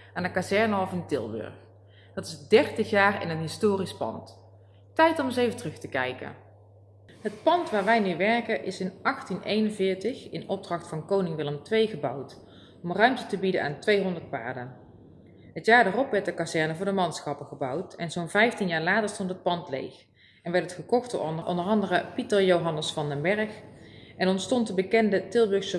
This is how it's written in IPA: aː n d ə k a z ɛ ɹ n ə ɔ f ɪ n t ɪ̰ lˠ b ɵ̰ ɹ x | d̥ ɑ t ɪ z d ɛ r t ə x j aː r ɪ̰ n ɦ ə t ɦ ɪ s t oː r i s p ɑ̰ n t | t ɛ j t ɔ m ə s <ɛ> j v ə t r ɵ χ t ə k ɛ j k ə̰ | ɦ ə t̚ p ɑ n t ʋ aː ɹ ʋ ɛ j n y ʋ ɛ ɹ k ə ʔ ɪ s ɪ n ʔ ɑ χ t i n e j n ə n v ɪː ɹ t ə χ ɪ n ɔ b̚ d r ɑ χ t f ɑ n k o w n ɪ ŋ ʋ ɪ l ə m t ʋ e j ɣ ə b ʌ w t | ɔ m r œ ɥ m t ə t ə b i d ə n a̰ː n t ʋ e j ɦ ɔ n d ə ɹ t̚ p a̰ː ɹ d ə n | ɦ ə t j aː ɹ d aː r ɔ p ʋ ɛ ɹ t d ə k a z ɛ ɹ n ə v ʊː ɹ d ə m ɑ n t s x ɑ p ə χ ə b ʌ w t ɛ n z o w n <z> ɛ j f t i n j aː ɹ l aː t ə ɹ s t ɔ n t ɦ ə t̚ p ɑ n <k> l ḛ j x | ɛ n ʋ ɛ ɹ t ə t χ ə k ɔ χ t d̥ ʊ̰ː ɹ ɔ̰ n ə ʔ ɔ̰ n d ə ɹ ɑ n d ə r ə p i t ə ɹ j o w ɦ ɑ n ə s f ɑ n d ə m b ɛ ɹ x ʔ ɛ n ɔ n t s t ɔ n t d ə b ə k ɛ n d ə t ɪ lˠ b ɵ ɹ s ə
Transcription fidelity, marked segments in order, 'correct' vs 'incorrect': incorrect, incorrect, incorrect

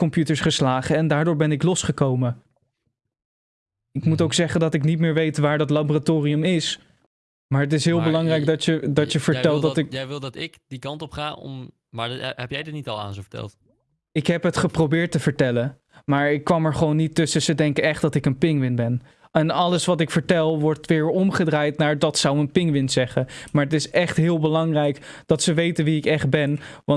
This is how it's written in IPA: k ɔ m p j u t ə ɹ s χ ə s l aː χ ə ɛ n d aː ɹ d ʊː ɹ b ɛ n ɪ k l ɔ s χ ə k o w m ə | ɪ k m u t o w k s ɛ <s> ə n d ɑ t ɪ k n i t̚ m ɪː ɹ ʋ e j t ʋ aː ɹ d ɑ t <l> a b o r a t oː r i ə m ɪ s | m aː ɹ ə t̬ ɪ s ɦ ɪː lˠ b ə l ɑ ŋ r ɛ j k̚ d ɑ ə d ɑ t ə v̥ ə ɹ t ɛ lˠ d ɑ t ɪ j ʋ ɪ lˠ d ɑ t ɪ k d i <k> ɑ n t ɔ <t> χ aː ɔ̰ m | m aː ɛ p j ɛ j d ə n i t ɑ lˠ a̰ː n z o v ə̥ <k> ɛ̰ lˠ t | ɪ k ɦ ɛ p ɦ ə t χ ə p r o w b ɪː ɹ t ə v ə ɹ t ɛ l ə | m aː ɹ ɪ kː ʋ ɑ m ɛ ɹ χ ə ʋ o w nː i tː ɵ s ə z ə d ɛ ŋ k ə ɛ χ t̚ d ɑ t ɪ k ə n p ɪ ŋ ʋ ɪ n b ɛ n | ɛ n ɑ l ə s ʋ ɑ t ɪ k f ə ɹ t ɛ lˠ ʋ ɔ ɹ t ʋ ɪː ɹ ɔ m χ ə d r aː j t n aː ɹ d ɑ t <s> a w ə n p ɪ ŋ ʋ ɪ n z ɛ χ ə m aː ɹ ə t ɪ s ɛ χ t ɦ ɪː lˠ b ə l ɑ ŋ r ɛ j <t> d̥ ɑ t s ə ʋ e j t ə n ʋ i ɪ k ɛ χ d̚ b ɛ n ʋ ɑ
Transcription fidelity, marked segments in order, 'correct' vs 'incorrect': incorrect, correct, correct, incorrect, incorrect, correct, incorrect

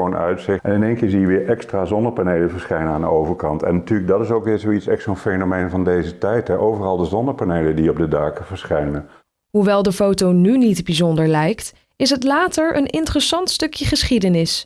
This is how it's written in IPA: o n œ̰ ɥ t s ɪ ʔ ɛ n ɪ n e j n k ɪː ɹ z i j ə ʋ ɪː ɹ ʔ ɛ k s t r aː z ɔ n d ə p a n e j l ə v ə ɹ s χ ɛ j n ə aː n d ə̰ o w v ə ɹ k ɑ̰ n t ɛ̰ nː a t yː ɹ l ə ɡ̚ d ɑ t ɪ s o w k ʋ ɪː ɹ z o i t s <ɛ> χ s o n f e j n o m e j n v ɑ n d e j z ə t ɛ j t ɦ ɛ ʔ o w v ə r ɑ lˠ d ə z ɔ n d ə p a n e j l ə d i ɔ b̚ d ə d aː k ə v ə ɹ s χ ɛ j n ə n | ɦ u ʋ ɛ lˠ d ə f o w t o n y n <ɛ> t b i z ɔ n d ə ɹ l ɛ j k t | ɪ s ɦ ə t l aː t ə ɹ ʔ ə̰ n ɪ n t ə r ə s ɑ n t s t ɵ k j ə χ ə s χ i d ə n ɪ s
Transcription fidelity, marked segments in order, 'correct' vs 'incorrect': correct, incorrect

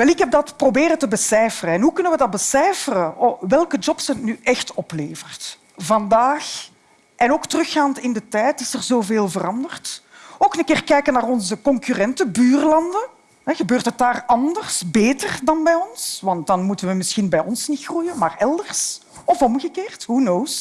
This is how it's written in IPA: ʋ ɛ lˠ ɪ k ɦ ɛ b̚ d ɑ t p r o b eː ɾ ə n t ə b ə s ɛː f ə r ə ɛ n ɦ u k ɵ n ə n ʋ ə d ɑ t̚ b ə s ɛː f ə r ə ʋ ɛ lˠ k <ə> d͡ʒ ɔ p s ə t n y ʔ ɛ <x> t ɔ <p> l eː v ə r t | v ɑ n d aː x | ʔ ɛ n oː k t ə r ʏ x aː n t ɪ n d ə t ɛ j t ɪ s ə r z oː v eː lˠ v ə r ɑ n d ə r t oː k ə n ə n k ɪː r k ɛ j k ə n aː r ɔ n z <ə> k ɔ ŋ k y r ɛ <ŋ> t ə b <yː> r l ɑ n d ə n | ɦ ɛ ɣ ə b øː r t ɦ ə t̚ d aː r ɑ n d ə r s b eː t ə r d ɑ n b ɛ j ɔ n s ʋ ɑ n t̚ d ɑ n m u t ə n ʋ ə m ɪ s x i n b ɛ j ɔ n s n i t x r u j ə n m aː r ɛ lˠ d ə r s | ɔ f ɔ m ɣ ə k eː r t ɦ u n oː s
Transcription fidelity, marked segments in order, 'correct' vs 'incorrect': correct, correct, correct, correct, incorrect, correct

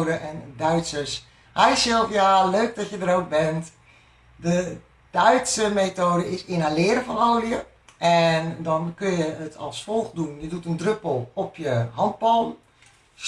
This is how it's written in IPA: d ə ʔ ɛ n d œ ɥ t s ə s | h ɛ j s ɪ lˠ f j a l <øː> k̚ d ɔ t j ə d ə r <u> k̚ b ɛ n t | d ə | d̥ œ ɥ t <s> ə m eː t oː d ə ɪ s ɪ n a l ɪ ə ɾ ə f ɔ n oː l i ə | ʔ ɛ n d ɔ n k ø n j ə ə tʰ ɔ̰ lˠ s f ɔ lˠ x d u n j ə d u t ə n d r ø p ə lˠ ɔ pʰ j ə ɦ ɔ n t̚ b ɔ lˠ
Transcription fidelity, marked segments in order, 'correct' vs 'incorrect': correct, incorrect, correct

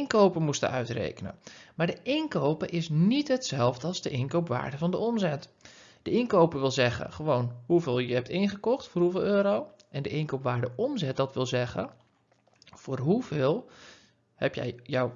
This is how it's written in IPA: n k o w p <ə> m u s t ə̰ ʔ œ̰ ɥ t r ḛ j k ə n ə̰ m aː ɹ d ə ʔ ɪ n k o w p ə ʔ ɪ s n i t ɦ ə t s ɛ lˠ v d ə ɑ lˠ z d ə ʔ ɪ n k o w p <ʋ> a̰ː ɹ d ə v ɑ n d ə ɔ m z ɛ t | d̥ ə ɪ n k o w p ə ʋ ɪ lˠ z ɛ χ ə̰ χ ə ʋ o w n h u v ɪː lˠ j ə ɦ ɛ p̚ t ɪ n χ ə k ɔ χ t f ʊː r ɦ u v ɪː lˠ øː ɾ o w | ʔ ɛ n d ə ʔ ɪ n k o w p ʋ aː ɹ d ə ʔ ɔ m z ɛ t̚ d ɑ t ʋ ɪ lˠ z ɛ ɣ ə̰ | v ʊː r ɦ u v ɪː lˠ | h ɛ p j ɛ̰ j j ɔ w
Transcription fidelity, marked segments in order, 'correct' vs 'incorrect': correct, correct

